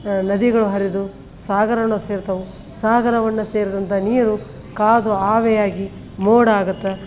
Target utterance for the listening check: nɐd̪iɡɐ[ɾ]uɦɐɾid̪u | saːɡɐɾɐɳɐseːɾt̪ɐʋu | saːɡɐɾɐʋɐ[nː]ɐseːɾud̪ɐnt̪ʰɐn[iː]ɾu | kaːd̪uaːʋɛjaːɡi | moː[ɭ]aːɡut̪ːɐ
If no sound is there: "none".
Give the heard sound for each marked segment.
ɭ, nː, iː, ɽ

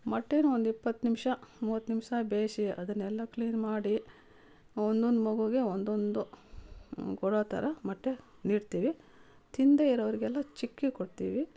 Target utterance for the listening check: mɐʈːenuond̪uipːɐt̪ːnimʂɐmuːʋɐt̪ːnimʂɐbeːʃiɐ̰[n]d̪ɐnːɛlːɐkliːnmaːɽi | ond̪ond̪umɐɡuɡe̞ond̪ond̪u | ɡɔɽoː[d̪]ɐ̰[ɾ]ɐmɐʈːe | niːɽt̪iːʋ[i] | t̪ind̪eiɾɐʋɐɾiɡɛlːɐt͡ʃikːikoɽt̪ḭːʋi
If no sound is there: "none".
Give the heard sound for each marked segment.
none, t̪, ɾ, i

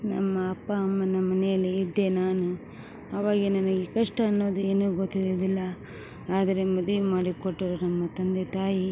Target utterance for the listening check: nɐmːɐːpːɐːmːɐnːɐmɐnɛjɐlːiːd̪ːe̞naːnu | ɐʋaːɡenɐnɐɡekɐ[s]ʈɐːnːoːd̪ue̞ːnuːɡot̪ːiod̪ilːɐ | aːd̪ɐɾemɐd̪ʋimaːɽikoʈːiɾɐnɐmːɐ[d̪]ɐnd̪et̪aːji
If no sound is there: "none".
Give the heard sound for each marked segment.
ʂ, t̪

